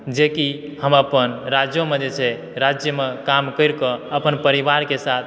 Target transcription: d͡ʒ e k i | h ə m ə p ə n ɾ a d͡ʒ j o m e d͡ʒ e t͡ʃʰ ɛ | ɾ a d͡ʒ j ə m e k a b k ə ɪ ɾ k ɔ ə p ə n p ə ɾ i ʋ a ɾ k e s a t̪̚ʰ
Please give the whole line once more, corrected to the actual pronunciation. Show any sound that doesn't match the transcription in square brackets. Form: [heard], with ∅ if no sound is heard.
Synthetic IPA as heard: d͡ʒ e k i | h ə m ə p ə n ɾ a d͡ʒ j o m e d͡ʒ e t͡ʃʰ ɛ | ɾ a d͡ʒ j ə m e k a [m] k ə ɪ ɾ k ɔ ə p ə n p ə ɾ i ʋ a ɾ k e s a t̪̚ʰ